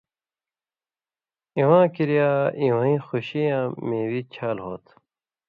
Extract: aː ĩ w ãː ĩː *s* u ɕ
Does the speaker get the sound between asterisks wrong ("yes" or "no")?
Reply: yes